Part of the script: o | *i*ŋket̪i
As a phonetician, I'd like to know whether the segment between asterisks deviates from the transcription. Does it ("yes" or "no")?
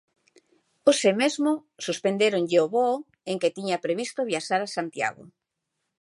yes